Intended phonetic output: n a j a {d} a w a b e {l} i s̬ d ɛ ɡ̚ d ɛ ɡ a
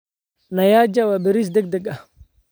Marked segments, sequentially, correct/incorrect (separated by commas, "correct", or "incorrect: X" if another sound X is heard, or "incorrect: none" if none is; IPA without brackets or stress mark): incorrect: d͡ʒ, incorrect: ɾ